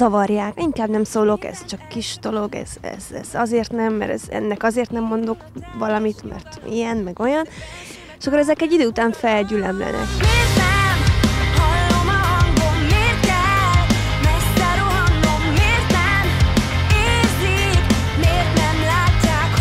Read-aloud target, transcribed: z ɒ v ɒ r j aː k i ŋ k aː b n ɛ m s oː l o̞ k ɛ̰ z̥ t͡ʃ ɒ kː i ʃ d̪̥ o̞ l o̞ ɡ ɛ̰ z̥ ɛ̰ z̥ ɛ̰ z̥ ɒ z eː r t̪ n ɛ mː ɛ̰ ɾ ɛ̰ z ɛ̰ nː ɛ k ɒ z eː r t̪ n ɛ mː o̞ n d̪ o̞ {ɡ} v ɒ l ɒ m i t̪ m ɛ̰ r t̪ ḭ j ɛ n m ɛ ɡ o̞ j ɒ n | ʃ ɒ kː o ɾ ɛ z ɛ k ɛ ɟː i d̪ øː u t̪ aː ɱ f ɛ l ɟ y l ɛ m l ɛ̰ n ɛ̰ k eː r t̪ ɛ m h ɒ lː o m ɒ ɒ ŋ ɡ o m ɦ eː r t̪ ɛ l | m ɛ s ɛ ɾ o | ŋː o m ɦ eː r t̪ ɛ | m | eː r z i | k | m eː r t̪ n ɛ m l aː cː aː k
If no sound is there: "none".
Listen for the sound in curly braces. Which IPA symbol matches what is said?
k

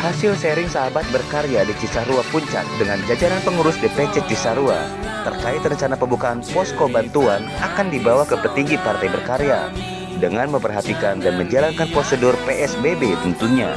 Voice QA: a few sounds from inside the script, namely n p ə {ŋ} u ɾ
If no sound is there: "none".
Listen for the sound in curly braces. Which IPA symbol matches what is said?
ŋ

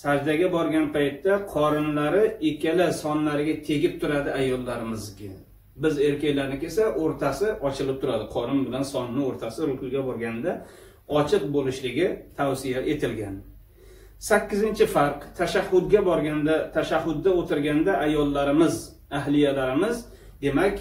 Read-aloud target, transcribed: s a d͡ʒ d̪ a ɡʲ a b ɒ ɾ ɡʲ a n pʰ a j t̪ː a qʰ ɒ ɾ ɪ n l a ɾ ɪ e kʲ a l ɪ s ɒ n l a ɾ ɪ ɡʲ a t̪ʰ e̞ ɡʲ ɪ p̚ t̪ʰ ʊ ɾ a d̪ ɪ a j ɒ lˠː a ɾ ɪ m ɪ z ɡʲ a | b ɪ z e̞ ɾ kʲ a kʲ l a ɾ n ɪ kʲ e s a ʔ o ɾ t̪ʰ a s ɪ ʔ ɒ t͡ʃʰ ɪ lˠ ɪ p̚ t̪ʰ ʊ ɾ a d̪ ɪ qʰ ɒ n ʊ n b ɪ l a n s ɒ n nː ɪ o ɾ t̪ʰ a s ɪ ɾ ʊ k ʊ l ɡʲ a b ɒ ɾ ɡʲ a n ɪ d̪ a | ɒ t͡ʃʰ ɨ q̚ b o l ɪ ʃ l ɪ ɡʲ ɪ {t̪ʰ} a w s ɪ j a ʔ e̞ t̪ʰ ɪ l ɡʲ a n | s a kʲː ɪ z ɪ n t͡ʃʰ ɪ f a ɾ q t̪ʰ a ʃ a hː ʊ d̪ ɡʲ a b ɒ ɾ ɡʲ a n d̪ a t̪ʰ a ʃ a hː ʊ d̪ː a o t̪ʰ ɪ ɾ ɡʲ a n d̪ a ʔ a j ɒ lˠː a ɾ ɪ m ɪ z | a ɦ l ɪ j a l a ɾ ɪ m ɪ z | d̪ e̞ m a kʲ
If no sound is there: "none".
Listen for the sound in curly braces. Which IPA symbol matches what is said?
t̪ʰ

